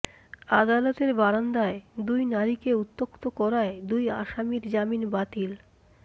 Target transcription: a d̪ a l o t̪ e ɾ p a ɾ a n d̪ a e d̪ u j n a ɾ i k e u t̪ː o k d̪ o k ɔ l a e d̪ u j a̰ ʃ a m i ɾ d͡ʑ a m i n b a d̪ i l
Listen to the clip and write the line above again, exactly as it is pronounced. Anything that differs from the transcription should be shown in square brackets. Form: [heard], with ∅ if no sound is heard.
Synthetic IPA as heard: a d̪ a l o t̪ e ɾ [b] a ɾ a n d̪ a e d̪ u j n a ɾ i k e u t̪ː o k [t̪] o k ɔ [ɾ] a e d̪ u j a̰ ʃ a m i ɾ d͡ʑ a m i n b a [t̪] i l